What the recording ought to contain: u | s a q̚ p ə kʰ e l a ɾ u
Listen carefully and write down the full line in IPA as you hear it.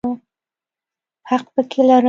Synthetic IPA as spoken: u | h a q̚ p ə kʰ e l a ɾ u